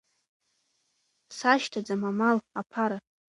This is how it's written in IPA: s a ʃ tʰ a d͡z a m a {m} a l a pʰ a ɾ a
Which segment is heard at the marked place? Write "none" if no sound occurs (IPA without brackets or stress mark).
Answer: m